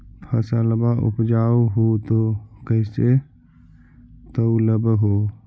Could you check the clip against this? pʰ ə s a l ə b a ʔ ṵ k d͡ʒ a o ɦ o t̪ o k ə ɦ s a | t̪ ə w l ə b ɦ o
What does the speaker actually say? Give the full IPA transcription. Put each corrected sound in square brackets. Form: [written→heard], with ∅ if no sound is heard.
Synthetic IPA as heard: pʰ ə s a l ə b a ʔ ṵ [k→p] d͡ʒ a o ɦ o t̪ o k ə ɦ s [a→e] | t̪ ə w l ə b ɦ o